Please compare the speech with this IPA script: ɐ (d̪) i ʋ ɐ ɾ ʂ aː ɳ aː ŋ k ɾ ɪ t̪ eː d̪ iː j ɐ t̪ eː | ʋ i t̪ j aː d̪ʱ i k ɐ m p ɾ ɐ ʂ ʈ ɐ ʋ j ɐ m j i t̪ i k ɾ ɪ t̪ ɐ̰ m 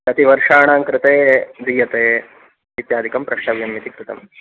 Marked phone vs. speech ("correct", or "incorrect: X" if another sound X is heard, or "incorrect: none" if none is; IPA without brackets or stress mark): incorrect: t̪